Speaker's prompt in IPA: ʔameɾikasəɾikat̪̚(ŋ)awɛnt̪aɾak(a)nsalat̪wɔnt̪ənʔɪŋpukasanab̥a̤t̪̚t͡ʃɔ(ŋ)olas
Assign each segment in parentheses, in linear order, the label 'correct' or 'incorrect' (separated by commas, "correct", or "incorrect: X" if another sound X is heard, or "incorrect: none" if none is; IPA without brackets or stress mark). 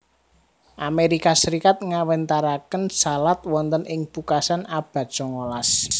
correct, incorrect: ə, correct